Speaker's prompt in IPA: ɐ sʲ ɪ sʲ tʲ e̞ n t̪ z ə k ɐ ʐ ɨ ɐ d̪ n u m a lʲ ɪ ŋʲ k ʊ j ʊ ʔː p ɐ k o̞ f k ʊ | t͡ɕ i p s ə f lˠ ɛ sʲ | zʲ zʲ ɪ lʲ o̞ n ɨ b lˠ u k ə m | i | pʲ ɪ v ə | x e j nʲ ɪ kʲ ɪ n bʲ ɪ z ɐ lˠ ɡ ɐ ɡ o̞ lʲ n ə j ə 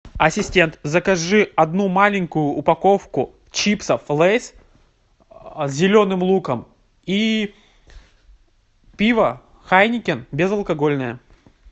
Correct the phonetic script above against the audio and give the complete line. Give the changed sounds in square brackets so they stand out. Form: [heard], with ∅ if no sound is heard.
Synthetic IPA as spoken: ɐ sʲ ɪ sʲ tʲ e̞ n t̪ z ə k ɐ ʐ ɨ ɐ d̪ n u m a lʲ ɪ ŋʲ k ʊ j ʊ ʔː p ɐ k o̞ f k ʊ | t͡ɕ i p s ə f lˠ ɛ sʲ | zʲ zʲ ɪ lʲ o̞ n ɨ [m] lˠ u k ə m | i | pʲ [i] v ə | x [a] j nʲ ɪ kʲ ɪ n bʲ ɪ z ɐ lˠ [k] ɐ ɡ o̞ lʲ n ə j ə

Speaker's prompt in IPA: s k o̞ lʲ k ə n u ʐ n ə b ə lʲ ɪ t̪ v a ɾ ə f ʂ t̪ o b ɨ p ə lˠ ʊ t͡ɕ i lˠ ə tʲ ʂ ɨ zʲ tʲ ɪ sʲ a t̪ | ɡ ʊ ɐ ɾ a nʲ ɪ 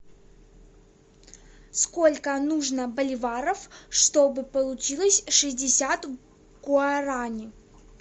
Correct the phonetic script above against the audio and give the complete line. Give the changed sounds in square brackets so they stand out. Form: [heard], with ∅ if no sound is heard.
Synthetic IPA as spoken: s k o̞ lʲ k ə n u ʐ n ə b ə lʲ ɪ [∅] v a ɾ ə f ʂ t̪ o b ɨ p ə lˠ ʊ t͡ɕ i lˠ ə [sʲ] ʂ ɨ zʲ [dʲ] ɪ sʲ a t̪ | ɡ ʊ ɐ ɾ a nʲ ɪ

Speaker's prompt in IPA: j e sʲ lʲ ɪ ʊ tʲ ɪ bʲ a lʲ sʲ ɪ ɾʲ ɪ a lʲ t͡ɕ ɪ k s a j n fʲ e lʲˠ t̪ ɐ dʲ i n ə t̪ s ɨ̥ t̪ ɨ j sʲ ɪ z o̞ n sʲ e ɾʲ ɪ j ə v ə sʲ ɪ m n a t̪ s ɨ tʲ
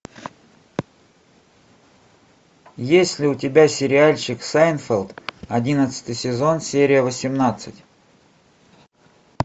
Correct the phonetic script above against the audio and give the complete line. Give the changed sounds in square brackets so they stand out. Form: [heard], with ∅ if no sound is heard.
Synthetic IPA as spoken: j e sʲ lʲ ɪ ʊ tʲ ɪ bʲ a [∅] sʲ ɪ ɾʲ ɪ a lʲ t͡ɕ ɪ k s a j n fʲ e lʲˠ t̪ ɐ dʲ i n ə t̪ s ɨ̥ t̪ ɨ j sʲ ɪ z o̞ n sʲ e ɾʲ ɪ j ə v ə sʲ ɪ m n a t̪ s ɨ tʲ

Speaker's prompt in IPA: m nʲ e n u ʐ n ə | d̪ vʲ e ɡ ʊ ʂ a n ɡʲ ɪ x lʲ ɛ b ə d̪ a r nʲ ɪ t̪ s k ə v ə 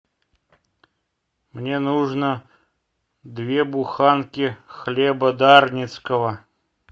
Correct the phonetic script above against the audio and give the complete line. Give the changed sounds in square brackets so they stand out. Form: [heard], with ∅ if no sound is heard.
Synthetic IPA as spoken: m nʲ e n u ʐ n ə | d̪ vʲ e [b] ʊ [x] a n [kʲ] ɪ x lʲ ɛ b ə d̪ a r nʲ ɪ t̪ s k ə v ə

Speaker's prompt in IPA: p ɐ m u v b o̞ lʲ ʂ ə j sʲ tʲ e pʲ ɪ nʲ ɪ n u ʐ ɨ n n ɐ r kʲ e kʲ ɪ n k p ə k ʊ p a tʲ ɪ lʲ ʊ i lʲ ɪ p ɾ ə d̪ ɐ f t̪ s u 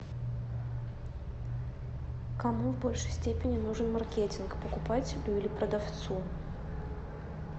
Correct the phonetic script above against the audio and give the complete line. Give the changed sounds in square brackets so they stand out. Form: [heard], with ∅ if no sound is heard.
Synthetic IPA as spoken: [k] ɐ m u v b o̞ lʲ ʂ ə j sʲ tʲ e pʲ ɪ nʲ ɪ n u ʐ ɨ n [m] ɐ r kʲ e [tʲ] ɪ n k p ə k ʊ p a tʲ ɪ lʲ ʊ i lʲ ɪ p ɾ ə d̪ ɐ f t̪ s u

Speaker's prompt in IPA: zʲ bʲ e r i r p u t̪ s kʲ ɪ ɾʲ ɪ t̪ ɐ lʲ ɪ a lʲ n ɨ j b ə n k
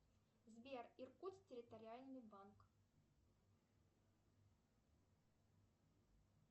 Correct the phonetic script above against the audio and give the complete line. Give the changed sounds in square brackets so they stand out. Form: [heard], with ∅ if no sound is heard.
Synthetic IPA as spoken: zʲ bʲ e r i r [k] u t̪ s [tʲ] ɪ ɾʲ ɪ t̪ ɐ [ɾʲ] ɪ a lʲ n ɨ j b [a] n k

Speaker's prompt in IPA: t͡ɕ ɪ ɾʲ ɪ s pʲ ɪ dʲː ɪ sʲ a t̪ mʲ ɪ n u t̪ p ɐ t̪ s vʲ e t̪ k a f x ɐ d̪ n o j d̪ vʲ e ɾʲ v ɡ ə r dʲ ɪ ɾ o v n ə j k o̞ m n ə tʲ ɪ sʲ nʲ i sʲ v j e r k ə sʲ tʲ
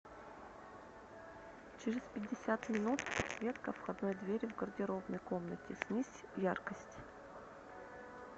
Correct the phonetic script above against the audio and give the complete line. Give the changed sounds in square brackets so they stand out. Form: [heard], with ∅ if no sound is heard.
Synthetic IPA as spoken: t͡ɕ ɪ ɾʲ ɪ s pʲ ɪ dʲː ɪ sʲ a t̪ mʲ ɪ n u t̪ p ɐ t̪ s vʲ e t̪ k [ə] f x ɐ d̪ n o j d̪ vʲ e ɾʲ v ɡ ə r dʲ ɪ ɾ o v n ə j k o̞ m n ə tʲ ɪ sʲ nʲ i sʲ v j [a] r k ə sʲ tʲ

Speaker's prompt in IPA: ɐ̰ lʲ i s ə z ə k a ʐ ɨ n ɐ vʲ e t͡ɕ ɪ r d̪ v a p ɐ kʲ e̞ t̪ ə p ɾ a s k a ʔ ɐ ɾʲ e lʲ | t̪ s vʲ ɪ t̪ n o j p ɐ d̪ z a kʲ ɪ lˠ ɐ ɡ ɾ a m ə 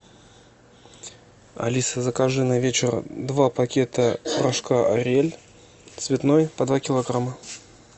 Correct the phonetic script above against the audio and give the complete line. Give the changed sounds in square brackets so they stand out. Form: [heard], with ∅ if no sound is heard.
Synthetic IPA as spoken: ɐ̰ lʲ i s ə z ə k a ʐ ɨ n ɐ vʲ e t͡ɕ ɪ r d̪ v a p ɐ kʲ e̞ t̪ ə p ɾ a [ʂ] k a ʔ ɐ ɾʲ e lʲ | t̪ s vʲ ɪ t̪ n o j p ɐ d̪ [v] a kʲ ɪ lˠ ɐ ɡ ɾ a m ə

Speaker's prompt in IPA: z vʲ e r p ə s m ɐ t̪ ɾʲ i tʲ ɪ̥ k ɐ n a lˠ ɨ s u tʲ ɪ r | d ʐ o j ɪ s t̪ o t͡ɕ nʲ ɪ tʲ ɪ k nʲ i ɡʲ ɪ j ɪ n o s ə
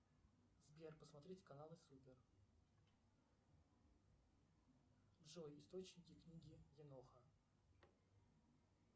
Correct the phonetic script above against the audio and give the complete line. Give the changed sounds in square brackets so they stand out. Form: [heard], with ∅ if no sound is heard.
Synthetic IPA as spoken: z [bʲ] e r p ə s m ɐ t̪ ɾʲ i tʲ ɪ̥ k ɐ n a lˠ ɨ s u [pʲ] ɪ r | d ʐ o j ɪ s t̪ o t͡ɕ nʲ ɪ [kʲ] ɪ k nʲ i ɡʲ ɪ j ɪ n o [x] ə

